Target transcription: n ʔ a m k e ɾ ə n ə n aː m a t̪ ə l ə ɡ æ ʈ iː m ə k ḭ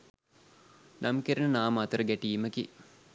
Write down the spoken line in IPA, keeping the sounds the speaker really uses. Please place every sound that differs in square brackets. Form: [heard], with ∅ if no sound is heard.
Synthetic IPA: n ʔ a m k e ɾ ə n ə n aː m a t̪ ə [ɾ] ə ɡ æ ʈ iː m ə k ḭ